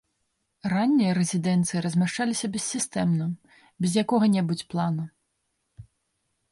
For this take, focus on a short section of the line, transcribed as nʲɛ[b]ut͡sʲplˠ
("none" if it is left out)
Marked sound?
b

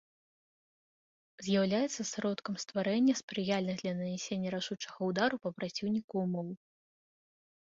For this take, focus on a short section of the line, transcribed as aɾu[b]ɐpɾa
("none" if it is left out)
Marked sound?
p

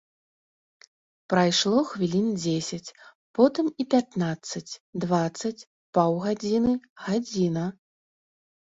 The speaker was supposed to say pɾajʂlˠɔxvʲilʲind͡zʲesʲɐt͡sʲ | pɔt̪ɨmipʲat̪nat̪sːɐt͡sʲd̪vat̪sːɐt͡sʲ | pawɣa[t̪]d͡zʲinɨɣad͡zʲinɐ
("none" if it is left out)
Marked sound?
none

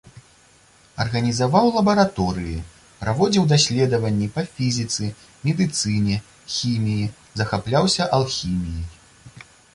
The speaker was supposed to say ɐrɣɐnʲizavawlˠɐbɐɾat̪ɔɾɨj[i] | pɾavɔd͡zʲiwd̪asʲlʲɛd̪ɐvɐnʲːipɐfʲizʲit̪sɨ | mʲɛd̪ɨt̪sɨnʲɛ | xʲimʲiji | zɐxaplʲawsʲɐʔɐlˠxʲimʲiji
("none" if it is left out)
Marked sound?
i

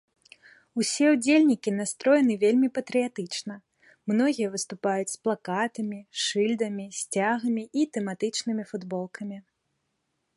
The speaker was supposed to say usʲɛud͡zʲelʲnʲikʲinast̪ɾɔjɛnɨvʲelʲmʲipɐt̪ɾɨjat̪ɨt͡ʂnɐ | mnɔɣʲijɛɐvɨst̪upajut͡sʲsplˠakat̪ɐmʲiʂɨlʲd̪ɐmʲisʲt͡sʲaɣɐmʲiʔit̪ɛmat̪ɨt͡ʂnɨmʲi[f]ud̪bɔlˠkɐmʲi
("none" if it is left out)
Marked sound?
f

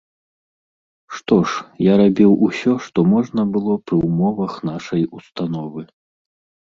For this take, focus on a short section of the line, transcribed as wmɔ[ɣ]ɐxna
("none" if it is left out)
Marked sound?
v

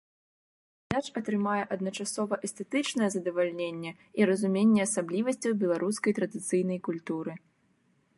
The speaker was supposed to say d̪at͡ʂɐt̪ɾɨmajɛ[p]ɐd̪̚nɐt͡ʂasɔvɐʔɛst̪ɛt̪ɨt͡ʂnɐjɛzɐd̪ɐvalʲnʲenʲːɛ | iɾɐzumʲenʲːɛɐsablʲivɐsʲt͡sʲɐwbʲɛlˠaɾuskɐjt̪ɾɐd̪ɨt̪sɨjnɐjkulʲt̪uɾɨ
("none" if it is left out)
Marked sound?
ʔ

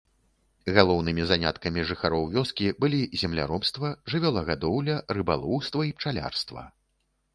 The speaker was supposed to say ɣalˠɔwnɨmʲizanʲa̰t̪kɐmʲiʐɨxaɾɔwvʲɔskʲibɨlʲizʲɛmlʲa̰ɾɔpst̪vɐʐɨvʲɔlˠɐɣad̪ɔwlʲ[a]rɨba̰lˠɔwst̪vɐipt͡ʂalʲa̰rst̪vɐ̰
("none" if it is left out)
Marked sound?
ɐ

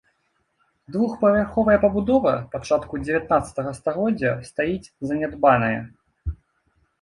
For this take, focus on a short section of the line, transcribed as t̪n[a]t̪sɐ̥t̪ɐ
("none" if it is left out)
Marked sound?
a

